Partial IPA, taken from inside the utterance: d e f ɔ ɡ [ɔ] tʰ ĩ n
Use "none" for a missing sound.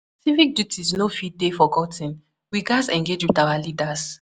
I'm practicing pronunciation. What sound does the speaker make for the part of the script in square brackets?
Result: ɔ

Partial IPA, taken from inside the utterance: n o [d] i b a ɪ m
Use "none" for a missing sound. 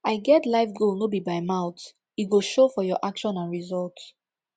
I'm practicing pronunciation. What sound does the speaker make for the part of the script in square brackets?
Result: b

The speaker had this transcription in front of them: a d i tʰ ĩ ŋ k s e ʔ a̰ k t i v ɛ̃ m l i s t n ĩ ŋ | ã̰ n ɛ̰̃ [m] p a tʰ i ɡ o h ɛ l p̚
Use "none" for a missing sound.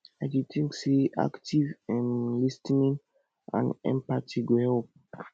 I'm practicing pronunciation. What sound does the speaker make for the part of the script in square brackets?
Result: m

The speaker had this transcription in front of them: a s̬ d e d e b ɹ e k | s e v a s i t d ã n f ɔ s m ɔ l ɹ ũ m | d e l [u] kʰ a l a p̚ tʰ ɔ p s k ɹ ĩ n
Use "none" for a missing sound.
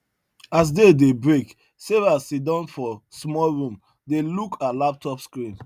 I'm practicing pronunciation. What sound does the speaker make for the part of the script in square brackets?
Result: u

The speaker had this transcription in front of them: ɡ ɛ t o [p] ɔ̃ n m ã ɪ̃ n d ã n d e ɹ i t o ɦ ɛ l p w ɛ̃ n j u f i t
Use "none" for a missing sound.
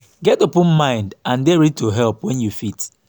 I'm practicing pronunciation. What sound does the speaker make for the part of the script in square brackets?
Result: p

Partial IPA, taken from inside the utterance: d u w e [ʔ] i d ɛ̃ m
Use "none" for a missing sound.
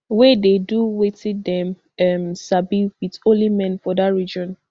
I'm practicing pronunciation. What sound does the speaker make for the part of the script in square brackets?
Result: t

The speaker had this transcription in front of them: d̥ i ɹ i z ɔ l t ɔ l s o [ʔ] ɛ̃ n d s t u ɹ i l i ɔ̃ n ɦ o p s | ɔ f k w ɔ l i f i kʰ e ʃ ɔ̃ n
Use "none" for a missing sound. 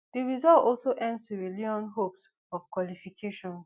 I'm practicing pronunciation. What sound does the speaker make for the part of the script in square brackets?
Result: ʔ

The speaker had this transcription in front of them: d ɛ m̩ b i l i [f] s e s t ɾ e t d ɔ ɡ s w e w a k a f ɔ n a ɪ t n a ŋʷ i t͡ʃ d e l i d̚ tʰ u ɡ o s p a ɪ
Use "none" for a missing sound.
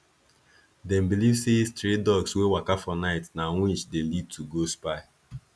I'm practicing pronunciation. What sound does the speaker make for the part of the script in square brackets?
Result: v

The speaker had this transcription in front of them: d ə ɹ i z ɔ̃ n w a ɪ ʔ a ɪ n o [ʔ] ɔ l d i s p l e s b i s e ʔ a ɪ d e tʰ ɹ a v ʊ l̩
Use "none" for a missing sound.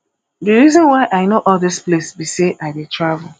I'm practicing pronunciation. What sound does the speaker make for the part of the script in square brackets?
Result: ʔ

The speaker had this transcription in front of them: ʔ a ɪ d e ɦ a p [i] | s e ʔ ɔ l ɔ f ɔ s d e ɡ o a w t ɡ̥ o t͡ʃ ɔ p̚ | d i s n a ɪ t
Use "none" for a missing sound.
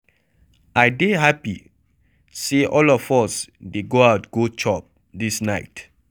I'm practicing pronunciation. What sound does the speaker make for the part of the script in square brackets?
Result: i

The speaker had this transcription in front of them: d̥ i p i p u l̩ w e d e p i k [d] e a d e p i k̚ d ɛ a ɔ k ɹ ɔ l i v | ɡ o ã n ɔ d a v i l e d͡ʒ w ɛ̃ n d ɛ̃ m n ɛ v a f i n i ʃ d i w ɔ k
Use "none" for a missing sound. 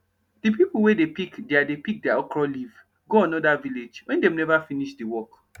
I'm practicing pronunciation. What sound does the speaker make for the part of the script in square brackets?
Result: d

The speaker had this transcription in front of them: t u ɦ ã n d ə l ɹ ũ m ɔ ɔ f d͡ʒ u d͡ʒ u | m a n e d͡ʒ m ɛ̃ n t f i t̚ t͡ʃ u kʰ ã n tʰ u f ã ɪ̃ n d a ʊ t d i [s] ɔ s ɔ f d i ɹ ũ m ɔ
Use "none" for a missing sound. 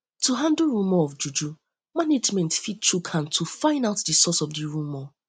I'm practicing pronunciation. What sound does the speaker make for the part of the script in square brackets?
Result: s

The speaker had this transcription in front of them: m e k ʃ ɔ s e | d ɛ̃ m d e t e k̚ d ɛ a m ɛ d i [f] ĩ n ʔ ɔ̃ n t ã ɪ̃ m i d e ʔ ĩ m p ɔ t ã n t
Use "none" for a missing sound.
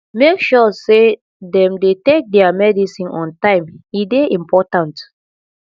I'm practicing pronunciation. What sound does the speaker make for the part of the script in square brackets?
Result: s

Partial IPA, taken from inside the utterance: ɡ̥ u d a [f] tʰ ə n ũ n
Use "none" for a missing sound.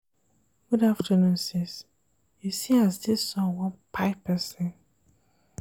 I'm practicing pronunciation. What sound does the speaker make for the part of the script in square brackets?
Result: f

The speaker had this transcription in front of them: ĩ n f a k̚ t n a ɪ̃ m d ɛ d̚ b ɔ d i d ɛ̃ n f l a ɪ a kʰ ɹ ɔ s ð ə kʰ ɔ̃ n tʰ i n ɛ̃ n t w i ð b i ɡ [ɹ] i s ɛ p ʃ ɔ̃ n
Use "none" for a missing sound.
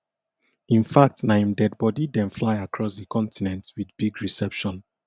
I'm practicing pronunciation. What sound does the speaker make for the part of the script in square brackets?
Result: ɹ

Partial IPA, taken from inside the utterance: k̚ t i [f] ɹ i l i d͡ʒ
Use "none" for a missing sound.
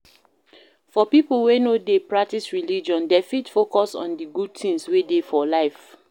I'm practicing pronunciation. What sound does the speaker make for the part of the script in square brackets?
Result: s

